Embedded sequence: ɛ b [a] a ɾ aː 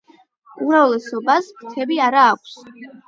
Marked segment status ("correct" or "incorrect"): incorrect